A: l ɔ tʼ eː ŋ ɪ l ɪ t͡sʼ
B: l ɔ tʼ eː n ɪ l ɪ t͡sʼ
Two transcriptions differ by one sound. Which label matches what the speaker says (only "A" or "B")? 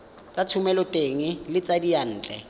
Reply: A